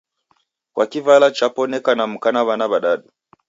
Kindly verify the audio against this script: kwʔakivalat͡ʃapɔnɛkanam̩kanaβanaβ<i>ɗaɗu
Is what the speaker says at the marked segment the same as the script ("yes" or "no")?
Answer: no